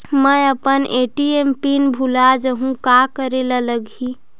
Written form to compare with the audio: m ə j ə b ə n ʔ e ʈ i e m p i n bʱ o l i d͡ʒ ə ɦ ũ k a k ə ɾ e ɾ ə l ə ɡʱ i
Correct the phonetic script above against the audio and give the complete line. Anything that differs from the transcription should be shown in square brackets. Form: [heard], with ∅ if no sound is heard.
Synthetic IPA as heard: m ə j ə [p] ə n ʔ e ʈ i e m p i n bʱ [u] l [a] d͡ʒ ə ɦ ũ k a k ə ɾ e [l] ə l ə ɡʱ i